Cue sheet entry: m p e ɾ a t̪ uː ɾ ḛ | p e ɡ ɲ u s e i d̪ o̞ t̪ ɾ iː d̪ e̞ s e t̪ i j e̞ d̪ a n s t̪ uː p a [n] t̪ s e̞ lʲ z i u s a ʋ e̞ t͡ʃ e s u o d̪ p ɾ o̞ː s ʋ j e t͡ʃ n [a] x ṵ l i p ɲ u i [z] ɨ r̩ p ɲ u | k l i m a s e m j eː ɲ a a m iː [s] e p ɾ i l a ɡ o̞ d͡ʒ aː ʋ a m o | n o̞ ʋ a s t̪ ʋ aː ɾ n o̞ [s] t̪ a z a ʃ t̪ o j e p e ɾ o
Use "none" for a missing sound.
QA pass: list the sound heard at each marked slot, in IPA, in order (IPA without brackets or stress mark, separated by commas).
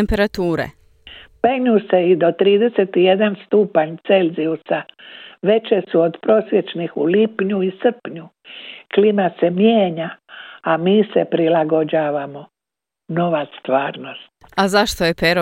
ɲ, i, s, s, s